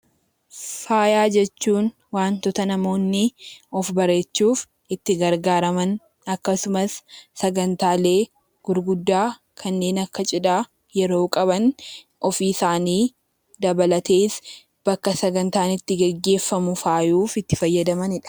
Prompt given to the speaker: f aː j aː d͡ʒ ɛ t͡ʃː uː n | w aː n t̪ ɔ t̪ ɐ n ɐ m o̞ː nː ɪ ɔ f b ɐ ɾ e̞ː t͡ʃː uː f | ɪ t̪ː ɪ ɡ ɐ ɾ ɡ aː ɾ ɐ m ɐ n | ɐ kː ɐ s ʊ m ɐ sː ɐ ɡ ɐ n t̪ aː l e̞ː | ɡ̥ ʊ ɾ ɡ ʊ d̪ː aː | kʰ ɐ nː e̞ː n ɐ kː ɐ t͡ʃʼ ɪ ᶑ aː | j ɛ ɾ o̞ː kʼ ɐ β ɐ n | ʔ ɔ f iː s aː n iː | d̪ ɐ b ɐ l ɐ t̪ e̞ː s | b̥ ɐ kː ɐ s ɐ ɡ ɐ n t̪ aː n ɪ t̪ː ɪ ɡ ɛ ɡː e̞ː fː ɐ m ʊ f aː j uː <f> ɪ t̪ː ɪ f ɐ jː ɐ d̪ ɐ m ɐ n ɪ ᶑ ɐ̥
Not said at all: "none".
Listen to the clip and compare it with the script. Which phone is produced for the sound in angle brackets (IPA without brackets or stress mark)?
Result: f